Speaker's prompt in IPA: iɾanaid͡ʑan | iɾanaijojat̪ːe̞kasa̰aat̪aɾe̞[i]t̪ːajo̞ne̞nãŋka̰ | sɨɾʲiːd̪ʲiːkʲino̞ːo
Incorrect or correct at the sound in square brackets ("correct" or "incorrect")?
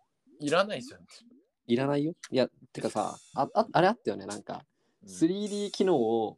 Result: incorrect